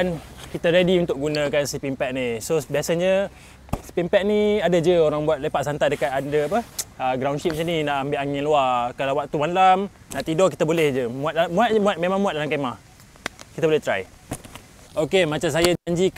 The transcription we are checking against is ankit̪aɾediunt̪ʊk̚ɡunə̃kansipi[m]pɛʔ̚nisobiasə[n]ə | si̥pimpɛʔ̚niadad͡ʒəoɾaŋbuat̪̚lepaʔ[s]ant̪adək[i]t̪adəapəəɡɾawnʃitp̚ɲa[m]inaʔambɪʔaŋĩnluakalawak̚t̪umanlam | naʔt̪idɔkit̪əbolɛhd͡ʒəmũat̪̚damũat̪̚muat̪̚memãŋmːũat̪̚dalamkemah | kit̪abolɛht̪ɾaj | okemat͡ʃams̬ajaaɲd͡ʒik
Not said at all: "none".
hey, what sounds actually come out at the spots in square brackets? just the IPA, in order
m, ɲ, s, a, n

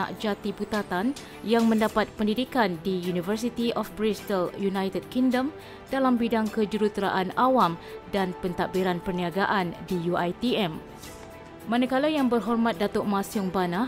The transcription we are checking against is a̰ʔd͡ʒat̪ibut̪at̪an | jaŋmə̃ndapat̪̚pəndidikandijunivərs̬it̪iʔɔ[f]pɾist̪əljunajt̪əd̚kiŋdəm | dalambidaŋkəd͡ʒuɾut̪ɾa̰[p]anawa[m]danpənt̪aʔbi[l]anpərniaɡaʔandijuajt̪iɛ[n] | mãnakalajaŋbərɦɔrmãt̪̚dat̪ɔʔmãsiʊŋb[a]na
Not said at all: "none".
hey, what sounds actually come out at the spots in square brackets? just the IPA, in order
f, ʔ, m, ɾ, m, a

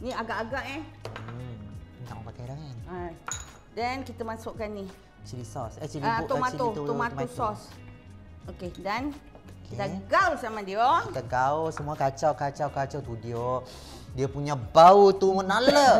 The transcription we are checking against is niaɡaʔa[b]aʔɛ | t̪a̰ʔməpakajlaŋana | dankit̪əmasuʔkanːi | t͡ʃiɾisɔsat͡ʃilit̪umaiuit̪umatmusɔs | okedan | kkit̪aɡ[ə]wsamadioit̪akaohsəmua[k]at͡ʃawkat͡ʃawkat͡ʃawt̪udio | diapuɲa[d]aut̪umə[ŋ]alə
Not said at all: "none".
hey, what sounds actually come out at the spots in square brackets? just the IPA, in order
ɡ, a, k, b, n

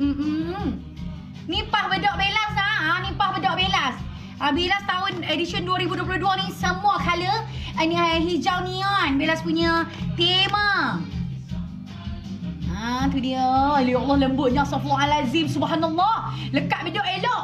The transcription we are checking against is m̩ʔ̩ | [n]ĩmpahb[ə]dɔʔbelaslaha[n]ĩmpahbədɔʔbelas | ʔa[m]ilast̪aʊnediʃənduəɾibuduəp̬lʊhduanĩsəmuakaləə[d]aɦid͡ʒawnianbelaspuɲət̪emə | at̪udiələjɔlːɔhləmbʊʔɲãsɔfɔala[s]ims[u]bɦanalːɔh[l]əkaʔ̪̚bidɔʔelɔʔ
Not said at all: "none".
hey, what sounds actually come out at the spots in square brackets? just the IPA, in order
n, ə, n, b, n, z, u, l

